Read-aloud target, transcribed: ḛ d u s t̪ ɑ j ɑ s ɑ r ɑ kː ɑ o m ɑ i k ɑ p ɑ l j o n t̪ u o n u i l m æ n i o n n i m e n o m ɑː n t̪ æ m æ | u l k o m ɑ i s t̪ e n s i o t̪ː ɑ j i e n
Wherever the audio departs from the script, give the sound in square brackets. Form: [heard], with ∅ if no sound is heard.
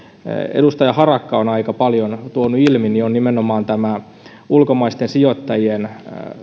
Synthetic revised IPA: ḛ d u s t̪ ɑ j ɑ [h] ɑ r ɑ kː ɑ o [n] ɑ i k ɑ p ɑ l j o n t̪ u o n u i l m [i] n i o n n i m e n o m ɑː n t̪ æ m æ | u l k o m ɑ i s t̪ e n s i o t̪ː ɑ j i e n